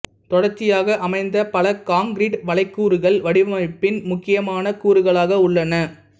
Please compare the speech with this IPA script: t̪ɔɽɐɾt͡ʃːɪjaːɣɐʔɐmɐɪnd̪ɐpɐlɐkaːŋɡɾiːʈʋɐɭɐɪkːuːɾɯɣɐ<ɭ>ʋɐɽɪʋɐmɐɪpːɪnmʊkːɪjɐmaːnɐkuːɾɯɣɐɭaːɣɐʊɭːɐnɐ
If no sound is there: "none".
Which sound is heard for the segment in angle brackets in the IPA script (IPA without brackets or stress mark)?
ɭ